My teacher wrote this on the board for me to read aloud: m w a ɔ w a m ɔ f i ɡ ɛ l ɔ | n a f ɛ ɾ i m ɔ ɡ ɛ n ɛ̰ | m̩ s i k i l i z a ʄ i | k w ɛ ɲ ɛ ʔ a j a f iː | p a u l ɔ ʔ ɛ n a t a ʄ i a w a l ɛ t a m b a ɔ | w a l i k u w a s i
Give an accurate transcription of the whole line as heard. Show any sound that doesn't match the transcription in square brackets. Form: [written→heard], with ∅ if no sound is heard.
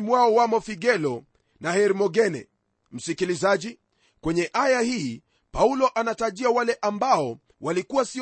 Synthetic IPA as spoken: m w a ɔ w a m ɔ f i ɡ ɛ l ɔ | n a [f→h] ɛ ɾ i m ɔ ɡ ɛ n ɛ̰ | m̩ s i k i l i z a ʄ i | k w ɛ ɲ ɛ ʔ a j a [f→h] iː | p a u l ɔ ʔ [ɛ→a] n a t a ʄ i a w a l ɛ [t→ʔ] a m b a ɔ | w a l i k u w a s i